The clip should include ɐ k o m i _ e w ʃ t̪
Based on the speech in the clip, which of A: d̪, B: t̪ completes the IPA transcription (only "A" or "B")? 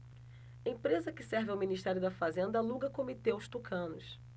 B